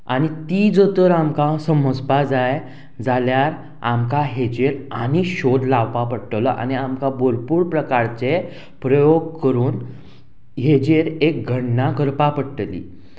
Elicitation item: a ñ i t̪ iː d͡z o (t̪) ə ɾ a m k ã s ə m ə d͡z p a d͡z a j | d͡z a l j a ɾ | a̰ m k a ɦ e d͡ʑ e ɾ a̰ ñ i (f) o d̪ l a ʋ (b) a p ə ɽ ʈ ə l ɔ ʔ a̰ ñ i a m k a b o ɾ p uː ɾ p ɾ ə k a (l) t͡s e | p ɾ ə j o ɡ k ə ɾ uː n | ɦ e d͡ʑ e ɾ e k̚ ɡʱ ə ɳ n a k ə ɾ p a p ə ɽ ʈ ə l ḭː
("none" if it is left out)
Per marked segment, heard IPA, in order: t̪, ɕ, p, ɾ

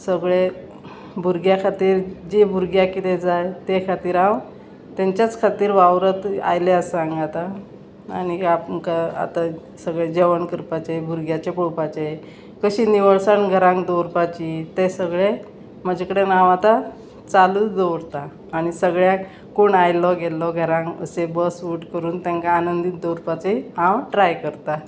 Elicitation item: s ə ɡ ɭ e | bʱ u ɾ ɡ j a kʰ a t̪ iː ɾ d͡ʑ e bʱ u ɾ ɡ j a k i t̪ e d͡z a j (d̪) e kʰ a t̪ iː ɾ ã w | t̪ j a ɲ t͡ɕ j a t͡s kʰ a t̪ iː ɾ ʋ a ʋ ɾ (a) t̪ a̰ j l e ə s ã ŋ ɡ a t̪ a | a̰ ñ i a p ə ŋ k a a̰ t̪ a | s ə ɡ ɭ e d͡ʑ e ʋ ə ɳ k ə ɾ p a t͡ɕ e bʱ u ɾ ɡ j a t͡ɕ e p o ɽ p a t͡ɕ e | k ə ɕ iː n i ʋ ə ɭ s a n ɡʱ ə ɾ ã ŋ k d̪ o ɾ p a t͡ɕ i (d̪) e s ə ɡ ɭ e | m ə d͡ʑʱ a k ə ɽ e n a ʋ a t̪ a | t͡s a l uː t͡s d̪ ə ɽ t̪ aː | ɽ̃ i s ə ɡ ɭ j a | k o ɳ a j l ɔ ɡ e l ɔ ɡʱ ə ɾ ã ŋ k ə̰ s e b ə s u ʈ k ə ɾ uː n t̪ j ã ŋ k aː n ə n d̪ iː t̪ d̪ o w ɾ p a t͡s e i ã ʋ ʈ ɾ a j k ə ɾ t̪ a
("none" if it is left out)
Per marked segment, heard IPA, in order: t̪, ə, t̪

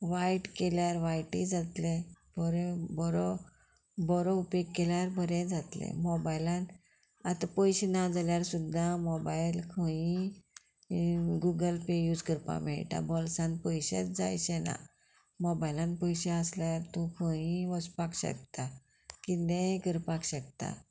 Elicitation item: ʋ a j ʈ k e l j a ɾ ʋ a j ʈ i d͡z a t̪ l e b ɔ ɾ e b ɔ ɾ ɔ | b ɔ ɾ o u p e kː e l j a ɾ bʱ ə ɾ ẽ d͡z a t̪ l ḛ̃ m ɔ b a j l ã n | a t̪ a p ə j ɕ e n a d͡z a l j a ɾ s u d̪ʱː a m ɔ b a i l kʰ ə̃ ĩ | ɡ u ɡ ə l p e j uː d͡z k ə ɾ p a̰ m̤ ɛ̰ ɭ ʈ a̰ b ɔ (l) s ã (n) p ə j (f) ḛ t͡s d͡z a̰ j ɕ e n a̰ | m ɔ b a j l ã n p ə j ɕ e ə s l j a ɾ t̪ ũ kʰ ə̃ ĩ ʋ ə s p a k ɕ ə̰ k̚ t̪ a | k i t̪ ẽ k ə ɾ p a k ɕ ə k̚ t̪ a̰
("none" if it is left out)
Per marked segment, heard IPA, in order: l, n, ɕ

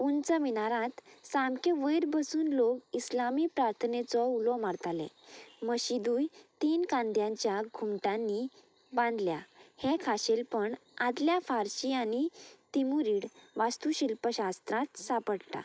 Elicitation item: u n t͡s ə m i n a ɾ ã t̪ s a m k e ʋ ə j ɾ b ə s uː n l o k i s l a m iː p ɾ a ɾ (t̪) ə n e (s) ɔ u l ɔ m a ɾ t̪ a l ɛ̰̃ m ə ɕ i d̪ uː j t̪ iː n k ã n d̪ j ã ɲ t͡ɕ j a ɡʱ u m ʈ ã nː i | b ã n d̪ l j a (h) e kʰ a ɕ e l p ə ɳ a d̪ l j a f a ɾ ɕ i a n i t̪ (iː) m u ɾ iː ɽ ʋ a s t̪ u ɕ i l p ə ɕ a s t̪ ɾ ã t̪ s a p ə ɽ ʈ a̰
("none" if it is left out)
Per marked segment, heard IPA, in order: t̪ʰ, t͡s, h, i

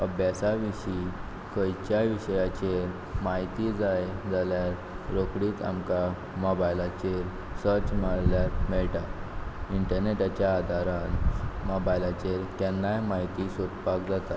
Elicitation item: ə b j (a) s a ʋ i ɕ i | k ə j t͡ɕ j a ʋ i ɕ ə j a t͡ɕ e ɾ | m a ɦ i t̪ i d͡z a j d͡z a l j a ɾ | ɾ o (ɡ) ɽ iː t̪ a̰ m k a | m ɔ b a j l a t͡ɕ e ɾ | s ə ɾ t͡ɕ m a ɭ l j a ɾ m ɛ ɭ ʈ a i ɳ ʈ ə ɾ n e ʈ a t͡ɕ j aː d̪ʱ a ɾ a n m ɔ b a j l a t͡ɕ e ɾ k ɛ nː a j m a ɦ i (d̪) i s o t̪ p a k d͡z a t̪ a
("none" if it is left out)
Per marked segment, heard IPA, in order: a, k, t̪

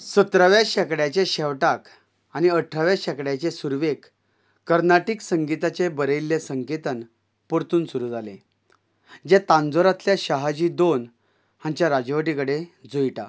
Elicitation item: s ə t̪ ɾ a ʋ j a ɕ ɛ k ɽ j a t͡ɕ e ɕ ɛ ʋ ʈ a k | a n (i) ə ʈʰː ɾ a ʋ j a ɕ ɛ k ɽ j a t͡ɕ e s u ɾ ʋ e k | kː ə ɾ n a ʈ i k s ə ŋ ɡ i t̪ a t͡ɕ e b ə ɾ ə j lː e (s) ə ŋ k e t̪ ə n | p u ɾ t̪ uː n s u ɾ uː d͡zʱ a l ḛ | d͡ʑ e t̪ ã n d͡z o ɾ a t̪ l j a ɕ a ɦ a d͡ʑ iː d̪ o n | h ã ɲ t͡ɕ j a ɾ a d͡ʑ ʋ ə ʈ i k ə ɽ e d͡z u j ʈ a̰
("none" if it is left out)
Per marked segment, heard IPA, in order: i, s

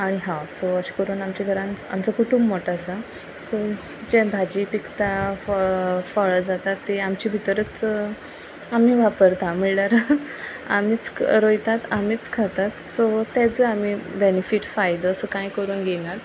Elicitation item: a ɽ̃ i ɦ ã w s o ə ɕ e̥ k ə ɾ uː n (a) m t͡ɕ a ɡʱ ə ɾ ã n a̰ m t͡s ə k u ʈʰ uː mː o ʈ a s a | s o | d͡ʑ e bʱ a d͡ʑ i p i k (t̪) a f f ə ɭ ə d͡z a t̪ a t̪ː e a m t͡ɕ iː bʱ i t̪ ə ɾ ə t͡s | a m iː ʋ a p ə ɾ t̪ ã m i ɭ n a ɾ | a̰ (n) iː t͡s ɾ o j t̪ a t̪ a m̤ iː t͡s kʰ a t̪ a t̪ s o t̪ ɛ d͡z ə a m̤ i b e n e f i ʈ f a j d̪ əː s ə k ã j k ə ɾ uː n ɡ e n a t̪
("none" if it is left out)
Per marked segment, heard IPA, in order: a, t̪, m

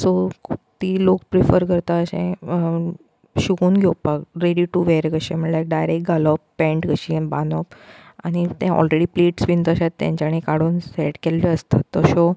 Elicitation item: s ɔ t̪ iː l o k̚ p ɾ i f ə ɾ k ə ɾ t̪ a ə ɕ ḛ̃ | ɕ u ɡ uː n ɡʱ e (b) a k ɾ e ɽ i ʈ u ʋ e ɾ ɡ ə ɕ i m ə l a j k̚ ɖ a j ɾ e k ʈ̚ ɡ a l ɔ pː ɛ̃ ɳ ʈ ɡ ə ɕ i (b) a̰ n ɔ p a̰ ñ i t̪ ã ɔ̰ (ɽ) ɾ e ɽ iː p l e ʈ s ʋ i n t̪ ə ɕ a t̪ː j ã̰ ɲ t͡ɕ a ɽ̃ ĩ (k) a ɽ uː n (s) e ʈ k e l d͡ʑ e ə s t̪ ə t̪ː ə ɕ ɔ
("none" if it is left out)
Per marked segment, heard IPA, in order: p, b, l, k, s

